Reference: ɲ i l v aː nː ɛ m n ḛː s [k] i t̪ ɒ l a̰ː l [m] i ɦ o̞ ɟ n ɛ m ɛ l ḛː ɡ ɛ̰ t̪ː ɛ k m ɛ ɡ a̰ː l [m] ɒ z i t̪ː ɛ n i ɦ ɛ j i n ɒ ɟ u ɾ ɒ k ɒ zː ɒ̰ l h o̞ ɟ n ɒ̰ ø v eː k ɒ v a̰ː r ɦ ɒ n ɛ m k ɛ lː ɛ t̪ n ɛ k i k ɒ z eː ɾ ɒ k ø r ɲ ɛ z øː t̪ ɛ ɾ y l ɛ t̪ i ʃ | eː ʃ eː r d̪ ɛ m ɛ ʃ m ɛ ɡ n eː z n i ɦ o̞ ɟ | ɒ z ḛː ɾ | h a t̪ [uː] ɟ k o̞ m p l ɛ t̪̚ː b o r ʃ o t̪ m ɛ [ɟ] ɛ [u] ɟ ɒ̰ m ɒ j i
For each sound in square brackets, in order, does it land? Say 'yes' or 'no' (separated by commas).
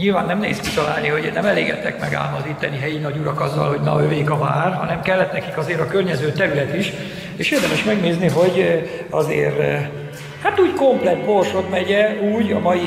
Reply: yes, no, yes, yes, yes, no